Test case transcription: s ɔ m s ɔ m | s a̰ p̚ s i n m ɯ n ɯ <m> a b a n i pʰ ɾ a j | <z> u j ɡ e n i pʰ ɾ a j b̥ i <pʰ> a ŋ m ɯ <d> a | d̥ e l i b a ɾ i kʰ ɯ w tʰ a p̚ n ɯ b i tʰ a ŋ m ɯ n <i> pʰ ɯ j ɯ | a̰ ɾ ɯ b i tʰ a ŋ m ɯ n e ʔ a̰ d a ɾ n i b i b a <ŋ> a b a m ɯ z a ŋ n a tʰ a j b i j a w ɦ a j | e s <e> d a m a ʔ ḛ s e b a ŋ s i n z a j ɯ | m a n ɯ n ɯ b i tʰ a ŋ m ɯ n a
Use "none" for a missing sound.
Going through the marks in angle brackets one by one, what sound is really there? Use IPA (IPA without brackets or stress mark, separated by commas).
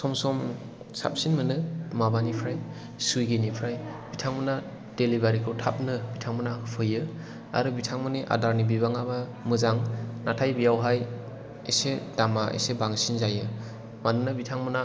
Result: m, s, tʰ, n, a, ŋ, e